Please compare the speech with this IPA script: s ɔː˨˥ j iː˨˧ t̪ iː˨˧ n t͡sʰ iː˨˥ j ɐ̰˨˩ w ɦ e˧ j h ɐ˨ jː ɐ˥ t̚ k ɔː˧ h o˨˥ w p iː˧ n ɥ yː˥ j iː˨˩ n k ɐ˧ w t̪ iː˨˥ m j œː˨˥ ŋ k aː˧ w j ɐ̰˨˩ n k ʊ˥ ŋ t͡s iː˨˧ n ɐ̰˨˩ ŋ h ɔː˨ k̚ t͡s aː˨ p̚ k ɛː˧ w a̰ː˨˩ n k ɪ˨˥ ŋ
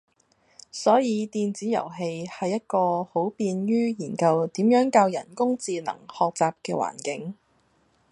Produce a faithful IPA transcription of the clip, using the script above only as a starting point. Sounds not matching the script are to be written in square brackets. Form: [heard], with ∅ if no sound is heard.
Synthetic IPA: s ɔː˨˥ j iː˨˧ t̪ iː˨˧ n [t͡s] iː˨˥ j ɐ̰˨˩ w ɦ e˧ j h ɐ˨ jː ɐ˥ t̚ k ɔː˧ h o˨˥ w p iː˧ n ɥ yː˥ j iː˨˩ n k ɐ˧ w t̪ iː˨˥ m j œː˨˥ ŋ k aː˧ w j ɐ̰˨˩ n k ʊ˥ ŋ t͡s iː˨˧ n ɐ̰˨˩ ŋ h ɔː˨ k̚ t͡s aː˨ p̚ k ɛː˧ w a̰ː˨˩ n k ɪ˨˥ ŋ